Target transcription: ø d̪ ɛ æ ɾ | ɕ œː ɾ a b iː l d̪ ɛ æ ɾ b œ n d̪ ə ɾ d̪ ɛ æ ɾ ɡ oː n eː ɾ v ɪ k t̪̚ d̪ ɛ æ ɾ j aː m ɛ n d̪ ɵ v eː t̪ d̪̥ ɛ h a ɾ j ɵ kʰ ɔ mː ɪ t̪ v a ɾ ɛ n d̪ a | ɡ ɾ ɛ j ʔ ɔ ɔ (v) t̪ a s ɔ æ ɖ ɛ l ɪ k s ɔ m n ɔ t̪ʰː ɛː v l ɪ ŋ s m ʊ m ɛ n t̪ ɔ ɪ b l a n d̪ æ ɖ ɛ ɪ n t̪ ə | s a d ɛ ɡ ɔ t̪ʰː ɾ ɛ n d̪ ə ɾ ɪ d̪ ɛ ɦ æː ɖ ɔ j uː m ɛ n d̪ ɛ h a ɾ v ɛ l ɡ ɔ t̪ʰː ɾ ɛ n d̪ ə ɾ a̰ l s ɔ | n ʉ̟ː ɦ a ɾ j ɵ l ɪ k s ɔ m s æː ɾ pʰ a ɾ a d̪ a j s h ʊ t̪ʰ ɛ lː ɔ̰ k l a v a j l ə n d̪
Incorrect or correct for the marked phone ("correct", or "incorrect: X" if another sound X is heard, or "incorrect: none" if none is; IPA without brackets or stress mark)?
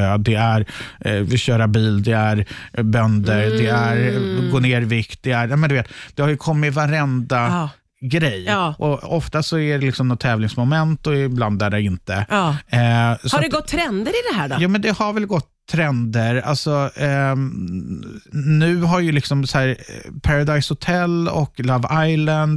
incorrect: f